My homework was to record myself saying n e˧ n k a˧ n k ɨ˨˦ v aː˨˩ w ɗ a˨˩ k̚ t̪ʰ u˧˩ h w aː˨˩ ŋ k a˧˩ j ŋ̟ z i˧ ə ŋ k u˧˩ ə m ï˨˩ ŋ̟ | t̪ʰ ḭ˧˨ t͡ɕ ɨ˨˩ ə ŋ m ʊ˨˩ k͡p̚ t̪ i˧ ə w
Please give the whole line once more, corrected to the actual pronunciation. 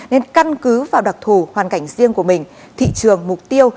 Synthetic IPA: n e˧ n k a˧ n k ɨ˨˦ v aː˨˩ w ɗ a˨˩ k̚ t̪ʰ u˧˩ h w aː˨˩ n k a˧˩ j ŋ̟ z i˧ ə ŋ k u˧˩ ə m ï˨˩ ŋ̟ | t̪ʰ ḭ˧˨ t͡ɕ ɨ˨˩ ə ŋ m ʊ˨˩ k͡p̚ t̪ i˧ ə w